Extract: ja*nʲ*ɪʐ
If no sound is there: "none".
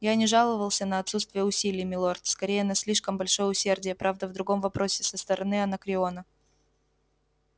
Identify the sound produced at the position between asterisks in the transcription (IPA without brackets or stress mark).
nʲ